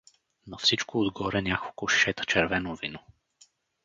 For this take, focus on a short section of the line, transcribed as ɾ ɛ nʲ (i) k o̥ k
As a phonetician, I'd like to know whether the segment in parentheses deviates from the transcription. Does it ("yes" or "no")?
yes